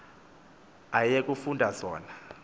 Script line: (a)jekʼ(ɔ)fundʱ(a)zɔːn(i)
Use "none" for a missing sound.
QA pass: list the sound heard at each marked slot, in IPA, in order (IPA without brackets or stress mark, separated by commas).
a, u, a, a